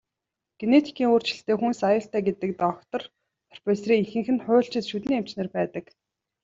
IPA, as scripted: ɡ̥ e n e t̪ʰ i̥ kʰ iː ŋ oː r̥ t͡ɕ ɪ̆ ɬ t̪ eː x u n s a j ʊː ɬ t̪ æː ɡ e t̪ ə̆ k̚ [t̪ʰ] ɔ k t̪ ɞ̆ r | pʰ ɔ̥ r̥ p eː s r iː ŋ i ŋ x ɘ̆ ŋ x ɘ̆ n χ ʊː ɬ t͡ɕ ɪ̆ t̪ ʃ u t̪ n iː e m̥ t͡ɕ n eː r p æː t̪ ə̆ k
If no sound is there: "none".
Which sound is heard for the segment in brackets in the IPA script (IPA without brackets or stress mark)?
t̪